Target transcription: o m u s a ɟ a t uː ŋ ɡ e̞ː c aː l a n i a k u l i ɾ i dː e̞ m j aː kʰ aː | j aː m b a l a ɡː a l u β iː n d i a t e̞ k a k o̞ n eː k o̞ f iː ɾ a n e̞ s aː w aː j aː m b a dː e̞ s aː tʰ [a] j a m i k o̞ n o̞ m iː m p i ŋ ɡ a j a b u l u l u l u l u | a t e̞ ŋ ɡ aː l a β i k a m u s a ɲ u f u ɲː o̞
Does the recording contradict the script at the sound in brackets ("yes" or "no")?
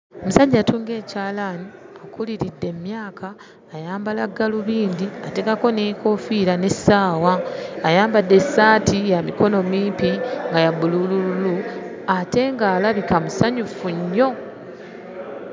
yes